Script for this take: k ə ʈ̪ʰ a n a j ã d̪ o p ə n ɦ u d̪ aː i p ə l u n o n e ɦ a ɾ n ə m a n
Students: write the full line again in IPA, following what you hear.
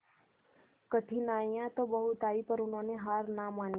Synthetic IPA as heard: k ə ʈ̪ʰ i n a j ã t̪ o b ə ɦ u t̪ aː i p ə ɾ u n o n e ɦ a ɾ n a m a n